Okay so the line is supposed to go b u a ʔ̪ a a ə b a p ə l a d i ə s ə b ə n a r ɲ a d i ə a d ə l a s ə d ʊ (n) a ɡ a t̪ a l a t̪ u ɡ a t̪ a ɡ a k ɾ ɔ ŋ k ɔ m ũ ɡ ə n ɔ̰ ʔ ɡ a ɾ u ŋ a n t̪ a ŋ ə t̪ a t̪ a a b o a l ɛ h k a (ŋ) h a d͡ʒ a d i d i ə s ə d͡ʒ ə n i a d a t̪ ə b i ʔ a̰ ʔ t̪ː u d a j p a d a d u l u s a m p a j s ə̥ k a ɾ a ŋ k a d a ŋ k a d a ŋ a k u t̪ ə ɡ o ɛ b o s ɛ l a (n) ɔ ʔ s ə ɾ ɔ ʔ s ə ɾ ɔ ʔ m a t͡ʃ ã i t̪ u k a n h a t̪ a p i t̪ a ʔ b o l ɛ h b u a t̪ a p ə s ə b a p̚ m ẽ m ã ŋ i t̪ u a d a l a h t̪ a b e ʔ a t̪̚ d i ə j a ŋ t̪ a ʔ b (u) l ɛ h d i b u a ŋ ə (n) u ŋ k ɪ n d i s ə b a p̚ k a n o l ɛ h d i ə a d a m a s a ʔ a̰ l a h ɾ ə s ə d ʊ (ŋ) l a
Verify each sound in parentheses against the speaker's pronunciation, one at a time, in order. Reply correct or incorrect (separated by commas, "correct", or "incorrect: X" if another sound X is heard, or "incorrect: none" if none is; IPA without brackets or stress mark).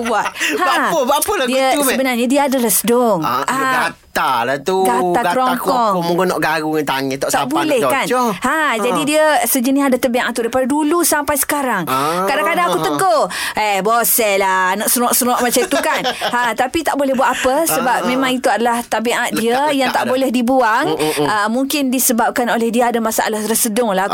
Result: incorrect: ŋ, incorrect: n, correct, incorrect: o, incorrect: m, correct